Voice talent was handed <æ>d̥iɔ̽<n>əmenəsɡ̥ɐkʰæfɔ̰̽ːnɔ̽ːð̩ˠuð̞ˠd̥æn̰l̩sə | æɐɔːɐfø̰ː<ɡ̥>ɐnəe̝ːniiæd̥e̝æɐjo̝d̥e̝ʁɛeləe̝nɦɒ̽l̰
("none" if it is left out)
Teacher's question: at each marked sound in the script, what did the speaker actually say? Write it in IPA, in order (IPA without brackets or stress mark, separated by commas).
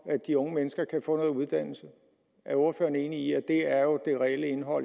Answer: æ, ŋ, none